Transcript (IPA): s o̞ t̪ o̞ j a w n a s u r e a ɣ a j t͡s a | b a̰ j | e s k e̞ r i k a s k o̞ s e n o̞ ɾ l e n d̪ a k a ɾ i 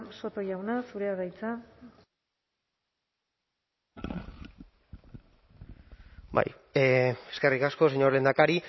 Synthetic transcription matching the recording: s o̞ t̪ o̞ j a w n a s u ɾ e a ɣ a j t͡s a | b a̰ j | e s k e̞ r i k a s k o̞ s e ɲ o̞ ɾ l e n d̪ a k a ɾ i

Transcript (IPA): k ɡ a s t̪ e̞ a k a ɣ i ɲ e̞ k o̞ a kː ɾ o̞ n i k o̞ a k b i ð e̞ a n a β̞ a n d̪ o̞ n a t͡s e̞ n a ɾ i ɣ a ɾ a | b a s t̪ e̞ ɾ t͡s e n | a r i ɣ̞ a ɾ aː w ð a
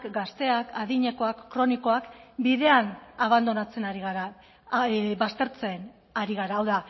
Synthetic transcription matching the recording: k ɡ a s t̪ e̞ a k a ð i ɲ e̞ k o̞ a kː ɾ o̞ n i k o̞ a k b i ð e̞ a n a β̞ a n d̪ o̞ n a t͡s e̞ n a ɾ i ɣ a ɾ a | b a s t̪ e̞ ɾ t͡s e n | a ɾ i ɣ̞ a ɾ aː w ð a

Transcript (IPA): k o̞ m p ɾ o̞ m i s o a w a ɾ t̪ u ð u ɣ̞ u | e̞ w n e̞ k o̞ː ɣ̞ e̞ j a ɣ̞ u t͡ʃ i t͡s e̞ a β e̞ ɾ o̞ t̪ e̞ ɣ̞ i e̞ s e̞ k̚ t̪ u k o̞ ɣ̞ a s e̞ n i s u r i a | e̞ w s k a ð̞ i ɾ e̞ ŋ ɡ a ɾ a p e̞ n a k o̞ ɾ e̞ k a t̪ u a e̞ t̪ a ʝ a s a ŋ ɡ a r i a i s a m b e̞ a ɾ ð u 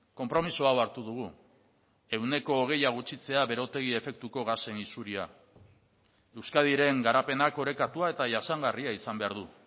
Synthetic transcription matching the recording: k o̞ m p ɾ o̞ m i s o a w a ɾ t̪ u ð u ɣ̞ u | e̞ w n e̞ k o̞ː ɣ̞ e̞ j a ɣ̞ u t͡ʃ i t͡s e̞ a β e̞ ɾ o̞ t̪ e̞ ɣ̞ i e̞ f e̞ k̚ t̪ u k o̞ ɣ̞ a s e̞ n i s u ɾ i a | e̞ w s k a ð̞ i ɾ e̞ ŋ ɡ a ɾ a p e̞ n a k o̞ ɾ e̞ k a t̪ u a e̞ t̪ a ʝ a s a ŋ ɡ a r i a i s a m b e̞ a ɾ ð u

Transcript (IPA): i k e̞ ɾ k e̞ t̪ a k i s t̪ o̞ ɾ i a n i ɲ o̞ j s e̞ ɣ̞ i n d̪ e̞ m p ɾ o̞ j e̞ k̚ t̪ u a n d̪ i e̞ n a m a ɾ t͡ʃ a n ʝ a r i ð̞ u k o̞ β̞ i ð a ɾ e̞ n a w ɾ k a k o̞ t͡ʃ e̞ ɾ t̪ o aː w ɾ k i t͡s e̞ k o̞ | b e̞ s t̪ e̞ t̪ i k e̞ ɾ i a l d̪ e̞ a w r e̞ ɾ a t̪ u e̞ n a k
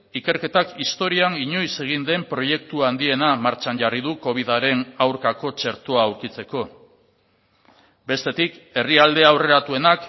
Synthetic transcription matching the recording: i k e̞ ɾ k e̞ t̪ a k i s t̪ o̞ ɾ i a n i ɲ o̞ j s e̞ ɣ̞ i n d̪ e̞ m p ɾ o̞ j e̞ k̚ t̪ u a n d̪ i e̞ n a m a ɾ t͡ʃ a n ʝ a r i ð̞ u k o̞ β̞ i ð a ɾ e̞ n a w ɾ k a k o̞ t͡ʃ e̞ ɾ t̪ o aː w ɾ k i t͡s e̞ k o̞ | b e̞ s t̪ e̞ t̪ i k e̞ r i a l d̪ e̞ a w r e̞ ɾ a t̪ u e̞ n a k

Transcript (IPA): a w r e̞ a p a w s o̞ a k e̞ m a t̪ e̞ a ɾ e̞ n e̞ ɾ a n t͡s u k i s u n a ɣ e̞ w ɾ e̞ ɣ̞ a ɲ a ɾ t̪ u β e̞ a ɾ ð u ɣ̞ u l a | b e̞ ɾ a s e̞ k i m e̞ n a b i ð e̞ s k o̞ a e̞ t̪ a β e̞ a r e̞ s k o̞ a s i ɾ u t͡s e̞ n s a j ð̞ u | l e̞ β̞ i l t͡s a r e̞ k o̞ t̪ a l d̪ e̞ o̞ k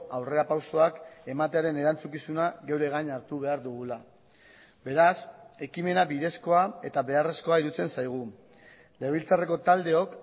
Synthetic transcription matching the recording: a w r e̞ a p a w s o̞ a k e̞ m a t̪ e̞ a ɾ e̞ n e̞ ɾ a n t͡s u k i s u n a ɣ e̞ w ɾ e̞ ɣ̞ a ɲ a ɾ t̪ u β e̞ a ɾ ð u ɣ̞ u l a | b e̞ ɾ a s e̞ k i m e̞ n a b i ð e̞ s k o̞ a e̞ t̪ a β e̞ a r e̞ s k o̞ a i ɾ u t͡s e̞ n s a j ɣ̞ u | l e̞ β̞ i l t͡s a r e̞ k o̞ t̪ a l d̪ e̞ o̞ k

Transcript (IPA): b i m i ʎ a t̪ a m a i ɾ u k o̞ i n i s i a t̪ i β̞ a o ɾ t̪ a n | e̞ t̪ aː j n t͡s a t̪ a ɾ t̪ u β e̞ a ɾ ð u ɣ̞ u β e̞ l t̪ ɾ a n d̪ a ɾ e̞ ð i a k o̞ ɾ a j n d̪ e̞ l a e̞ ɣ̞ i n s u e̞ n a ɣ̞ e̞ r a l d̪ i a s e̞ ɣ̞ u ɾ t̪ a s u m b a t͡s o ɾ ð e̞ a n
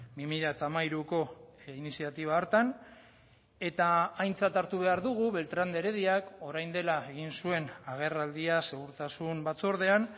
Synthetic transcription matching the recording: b i m i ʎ a t̪ a m a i ɾ u k o̞ i n i s i a t̪ i β̞ a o ɾ t̪ a n | e̞ t̪ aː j n t͡s a t̪ a ɾ t̪ u β e̞ a ɾ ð u ɣ̞ u β e̞ l t̪ ɾ a n d̪ e ɾ e̞ ð i a k o̞ ɾ a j n d̪ e̞ l a e̞ ɣ̞ i n s u e̞ n a ɣ̞ e̞ r a l d̪ i a s e̞ ɣ̞ u ɾ t̪ a s u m b a t͡s o ɾ ð e̞ a n

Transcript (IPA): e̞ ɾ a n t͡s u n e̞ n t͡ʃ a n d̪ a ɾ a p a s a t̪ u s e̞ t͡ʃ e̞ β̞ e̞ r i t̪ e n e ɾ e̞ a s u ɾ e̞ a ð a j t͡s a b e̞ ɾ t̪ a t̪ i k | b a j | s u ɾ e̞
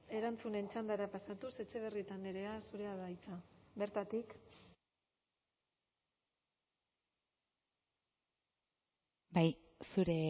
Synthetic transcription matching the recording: e̞ ɾ a n t͡s u n e̞ n t͡ʃ a n d̪ a ɾ a p a s a t̪ u s e̞ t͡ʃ e̞ β̞ e̞ r i t̪ a n e ɾ e̞ a s u ɾ e̞ a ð a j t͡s a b e̞ ɾ t̪ a t̪ i k | b a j | s u ɾ e̞

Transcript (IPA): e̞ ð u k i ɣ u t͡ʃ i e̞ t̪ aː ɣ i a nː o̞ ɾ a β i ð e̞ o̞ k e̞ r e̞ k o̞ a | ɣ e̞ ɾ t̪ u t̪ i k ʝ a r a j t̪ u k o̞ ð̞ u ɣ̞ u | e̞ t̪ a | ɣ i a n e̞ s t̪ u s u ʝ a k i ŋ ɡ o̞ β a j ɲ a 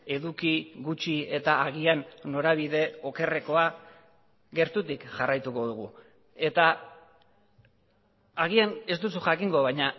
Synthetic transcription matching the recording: e̞ ð u k i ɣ u t͡ʃ i e̞ t̪ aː ɣ i a nː o̞ ɾ a β i ð e̞ o̞ k e̞ r e̞ k o̞ a | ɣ e̞ ɾ t̪ u t̪ i k ʝ a r a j t̪ u k o̞ ð̞ u ɣ̞ u | e̞ t̪ a | ɣ i a n e̞ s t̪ u s u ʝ a k i ŋ ɡ o̞ β a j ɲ a

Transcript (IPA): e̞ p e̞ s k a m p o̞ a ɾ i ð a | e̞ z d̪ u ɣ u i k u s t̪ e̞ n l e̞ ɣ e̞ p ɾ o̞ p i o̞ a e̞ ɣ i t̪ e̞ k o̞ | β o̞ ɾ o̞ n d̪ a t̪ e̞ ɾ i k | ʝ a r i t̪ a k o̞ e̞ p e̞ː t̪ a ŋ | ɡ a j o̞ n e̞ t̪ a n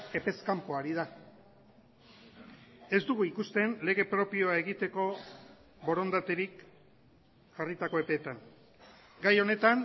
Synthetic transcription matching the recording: e̞ p e̞ s k a m p o̞ a ɾ i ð a | e̞ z d̪ u ɣ u i k u s t̪ e̞ n l e̞ ɣ e̞ p ɾ o̞ p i o̞ a e̞ ɣ i t̪ e̞ k o̞ | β o̞ ɾ o̞ n d̪ a t̪ e̞ ɾ i k | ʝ a r i t̪ a k o̞ e̞ p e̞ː t̪ a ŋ | ɡ a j o̞ n e̞ t̪ a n

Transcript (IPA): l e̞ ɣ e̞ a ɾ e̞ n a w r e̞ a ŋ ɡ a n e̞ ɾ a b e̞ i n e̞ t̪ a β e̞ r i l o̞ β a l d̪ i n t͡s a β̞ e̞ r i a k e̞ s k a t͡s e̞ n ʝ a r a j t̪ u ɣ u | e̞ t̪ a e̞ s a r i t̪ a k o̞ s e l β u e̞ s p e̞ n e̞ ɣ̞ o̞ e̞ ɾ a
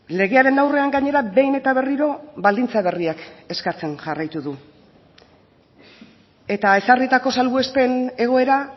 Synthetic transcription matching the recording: l e̞ ɣ e̞ a ɾ e̞ n a w r e̞ a ŋ ɡ a ɲ e̞ ɾ a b e̞ j n e̞ t̪ a β e̞ r i ɾ o̞ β a l d̪ i n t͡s a β̞ e̞ r i a k e̞ s k a t͡s e̞ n ʝ a r a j t̪ u ð u | e̞ t̪ a e̞ s a r i t̪ a k o̞ s a l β u e̞ s p e̞ n e̞ ɣ̞ o̞ e̞ ɾ a

